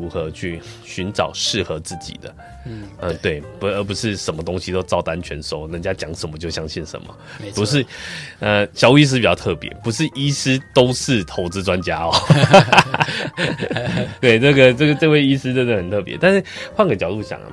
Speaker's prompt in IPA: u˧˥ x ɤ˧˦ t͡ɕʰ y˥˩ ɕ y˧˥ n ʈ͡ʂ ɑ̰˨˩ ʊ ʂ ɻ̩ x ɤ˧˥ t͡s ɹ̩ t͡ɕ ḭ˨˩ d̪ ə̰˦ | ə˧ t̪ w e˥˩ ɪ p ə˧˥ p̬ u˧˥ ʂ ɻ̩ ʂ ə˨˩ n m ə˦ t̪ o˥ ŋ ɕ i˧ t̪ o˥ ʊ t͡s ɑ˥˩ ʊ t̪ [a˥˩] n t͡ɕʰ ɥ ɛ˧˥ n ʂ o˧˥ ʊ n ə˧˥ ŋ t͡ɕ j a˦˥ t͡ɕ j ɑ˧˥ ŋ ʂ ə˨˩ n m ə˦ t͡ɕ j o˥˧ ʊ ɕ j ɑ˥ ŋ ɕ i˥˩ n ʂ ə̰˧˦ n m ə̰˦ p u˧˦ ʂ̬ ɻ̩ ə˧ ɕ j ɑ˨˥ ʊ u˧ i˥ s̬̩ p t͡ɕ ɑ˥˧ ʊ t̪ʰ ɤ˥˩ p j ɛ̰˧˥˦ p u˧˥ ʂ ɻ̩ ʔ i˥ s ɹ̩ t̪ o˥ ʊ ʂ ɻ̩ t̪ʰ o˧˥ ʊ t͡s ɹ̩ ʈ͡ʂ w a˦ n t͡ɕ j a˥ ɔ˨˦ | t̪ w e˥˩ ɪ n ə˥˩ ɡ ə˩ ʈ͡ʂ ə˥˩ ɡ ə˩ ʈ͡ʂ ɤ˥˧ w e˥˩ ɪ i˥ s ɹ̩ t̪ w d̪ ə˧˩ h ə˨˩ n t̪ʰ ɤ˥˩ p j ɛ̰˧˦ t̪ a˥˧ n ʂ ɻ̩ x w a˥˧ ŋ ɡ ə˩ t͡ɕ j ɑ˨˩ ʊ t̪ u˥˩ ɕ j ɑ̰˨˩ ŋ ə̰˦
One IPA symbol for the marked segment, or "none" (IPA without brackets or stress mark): a˦˥